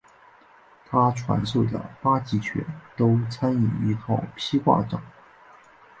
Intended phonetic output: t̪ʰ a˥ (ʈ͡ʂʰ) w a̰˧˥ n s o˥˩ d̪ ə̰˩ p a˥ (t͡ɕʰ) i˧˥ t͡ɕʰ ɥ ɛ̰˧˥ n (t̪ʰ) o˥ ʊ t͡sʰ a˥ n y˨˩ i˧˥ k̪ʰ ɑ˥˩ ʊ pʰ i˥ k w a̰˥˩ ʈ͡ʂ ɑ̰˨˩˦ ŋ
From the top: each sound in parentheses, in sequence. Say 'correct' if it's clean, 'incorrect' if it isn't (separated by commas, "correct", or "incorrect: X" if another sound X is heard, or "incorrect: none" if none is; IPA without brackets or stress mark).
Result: correct, incorrect: t͡ɕ, incorrect: t̪